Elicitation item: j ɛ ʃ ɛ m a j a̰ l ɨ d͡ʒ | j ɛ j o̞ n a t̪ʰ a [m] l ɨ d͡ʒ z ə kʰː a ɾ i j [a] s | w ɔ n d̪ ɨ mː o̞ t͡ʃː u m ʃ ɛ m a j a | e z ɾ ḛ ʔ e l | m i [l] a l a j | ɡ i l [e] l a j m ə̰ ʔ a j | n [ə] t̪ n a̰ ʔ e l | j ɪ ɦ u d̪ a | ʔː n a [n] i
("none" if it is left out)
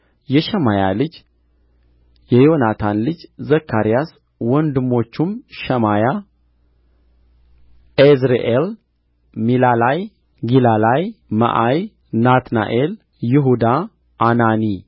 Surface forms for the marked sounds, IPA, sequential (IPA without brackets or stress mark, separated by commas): n, a, l, a, a, n